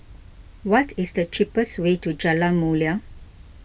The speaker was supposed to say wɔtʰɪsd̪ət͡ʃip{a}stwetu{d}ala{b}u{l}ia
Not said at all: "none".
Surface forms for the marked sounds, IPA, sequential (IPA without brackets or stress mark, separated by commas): ə, d͡ʒ, m, l